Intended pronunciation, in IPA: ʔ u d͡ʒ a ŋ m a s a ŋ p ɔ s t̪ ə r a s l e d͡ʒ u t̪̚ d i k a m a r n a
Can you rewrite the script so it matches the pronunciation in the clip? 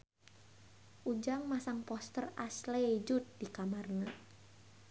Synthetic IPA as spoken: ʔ u d͡ʒ a ŋ m a s a ŋ p ɔ s t̪ ə r a s l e d͡ʒ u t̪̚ d i k a m a r n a